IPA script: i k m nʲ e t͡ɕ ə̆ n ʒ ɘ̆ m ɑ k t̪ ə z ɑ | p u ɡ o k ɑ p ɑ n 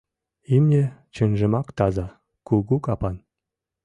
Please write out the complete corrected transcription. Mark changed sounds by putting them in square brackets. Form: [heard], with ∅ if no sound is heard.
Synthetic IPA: i [∅] m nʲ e t͡ɕ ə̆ n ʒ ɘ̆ m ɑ k t̪ [ɑ] z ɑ | [k] u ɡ [u] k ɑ p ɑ n